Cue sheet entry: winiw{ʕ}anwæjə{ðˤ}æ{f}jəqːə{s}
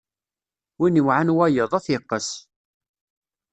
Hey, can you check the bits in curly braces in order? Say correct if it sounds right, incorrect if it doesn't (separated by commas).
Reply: correct, correct, incorrect, correct